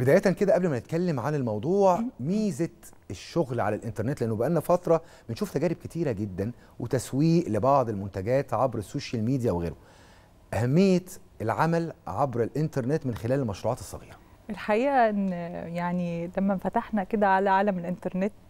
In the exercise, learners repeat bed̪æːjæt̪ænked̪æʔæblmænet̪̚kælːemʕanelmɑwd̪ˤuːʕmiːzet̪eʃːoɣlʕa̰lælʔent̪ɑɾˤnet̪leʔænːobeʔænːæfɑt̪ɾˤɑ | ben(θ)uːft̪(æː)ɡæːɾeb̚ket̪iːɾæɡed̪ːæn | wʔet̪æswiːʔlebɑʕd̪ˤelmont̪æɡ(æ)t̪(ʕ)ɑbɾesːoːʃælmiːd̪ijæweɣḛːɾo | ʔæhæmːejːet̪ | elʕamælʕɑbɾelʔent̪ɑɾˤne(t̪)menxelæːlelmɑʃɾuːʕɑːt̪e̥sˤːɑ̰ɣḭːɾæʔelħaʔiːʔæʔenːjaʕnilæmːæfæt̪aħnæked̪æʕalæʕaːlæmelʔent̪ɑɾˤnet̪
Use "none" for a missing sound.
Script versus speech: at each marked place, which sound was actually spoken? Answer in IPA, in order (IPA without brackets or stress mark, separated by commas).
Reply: ʃ, æ, æː, ʕ, t̪